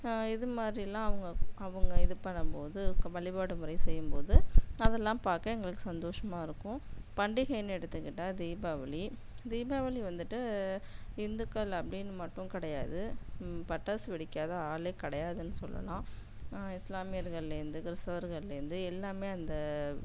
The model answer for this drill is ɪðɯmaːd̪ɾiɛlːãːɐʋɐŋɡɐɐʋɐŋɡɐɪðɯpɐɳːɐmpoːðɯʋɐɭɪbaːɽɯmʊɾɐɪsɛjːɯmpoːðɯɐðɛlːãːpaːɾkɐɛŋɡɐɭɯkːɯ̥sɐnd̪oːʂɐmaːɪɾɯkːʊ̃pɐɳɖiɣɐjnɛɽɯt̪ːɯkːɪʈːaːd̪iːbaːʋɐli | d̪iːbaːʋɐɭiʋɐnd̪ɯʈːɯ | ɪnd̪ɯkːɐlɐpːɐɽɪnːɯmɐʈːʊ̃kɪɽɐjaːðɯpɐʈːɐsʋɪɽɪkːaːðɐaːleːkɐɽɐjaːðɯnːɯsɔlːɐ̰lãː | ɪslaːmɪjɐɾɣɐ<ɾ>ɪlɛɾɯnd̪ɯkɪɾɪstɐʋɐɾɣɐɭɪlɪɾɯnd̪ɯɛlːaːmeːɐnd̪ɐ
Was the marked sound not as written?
yes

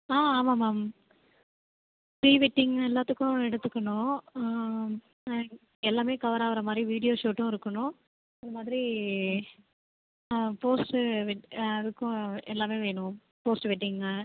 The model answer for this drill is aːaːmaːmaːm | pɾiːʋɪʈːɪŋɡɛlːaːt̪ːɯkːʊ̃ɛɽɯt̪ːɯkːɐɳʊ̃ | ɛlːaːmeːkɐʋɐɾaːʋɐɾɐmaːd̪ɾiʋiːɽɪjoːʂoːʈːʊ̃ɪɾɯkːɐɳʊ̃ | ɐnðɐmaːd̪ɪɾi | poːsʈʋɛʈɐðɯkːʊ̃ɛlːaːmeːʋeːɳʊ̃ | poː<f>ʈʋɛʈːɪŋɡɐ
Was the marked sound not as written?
yes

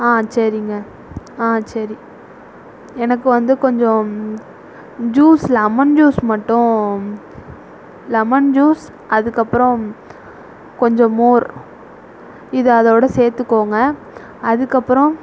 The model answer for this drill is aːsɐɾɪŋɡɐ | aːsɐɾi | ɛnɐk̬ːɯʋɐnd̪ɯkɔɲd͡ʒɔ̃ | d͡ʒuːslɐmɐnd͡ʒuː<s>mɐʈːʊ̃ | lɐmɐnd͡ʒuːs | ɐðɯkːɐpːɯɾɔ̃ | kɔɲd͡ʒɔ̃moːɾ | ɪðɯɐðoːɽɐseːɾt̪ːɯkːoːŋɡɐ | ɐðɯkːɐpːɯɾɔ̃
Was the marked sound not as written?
no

